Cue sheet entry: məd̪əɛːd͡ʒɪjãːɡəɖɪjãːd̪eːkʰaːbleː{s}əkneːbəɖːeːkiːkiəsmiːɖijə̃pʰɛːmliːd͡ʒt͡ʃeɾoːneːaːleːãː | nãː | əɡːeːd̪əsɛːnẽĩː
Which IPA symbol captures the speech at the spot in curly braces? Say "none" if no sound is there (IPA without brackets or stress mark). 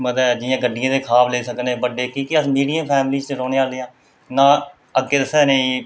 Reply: s